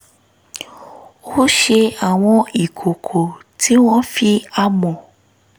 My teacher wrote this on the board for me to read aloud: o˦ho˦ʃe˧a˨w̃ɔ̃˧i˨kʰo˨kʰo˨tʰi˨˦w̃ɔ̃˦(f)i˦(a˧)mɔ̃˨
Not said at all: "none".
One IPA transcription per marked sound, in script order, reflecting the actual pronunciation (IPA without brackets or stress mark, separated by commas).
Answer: f, a˧